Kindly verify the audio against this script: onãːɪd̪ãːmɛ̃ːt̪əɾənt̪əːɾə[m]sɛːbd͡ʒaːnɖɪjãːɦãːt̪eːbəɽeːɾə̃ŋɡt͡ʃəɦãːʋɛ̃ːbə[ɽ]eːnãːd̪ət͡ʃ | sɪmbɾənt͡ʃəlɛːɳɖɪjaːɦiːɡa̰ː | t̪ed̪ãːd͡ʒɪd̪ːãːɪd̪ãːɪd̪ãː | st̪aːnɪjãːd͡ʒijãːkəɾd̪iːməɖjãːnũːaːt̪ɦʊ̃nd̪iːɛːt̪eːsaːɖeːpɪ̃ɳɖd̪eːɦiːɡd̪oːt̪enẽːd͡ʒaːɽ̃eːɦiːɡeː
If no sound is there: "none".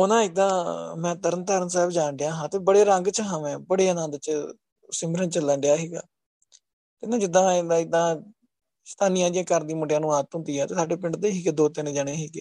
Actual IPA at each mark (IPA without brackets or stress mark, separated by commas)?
n, ɽ